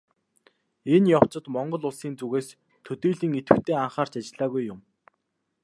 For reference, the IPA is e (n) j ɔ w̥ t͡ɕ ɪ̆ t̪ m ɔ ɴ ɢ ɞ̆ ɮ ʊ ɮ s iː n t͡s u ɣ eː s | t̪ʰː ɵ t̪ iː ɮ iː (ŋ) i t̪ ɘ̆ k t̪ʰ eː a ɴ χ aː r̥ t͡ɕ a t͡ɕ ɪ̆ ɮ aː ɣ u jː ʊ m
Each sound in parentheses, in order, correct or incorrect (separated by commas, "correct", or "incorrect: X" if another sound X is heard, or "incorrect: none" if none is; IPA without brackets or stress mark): correct, correct